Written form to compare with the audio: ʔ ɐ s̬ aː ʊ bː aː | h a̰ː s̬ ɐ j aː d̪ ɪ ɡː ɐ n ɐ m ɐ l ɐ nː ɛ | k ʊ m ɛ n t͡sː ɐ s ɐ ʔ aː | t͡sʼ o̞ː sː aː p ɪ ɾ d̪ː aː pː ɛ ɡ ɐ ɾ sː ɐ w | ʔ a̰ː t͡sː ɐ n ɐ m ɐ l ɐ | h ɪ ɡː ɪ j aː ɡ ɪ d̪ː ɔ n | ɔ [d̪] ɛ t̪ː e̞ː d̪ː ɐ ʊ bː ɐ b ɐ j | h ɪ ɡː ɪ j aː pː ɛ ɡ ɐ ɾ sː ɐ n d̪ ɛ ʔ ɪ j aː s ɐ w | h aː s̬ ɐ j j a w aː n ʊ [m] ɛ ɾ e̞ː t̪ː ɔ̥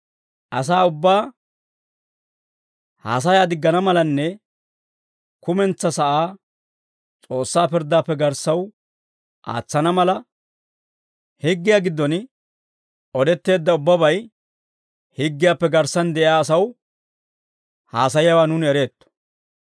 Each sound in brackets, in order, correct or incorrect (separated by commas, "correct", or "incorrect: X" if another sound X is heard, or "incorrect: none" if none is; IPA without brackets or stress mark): correct, incorrect: n